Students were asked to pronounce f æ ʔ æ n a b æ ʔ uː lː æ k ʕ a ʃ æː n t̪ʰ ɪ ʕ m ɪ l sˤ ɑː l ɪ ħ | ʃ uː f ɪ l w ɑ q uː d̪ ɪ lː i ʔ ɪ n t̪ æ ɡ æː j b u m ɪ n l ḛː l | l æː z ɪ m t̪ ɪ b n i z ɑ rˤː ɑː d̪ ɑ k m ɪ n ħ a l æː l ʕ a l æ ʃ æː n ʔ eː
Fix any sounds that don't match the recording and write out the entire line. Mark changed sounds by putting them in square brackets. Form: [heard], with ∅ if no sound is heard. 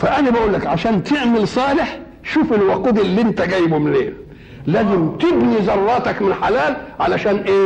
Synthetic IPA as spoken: f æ ʔ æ n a b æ ʔ uː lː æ k ʕ a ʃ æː n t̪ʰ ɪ ʕ m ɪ l sˤ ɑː l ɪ ħ | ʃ uː f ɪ l w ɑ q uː d̪ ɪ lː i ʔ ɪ n t̪ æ ɡ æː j b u m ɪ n l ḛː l | l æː z ɪ m t̪ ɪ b n i z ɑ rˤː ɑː [t̪] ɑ k m ɪ n ħ a l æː l ʕ a l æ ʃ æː n ʔ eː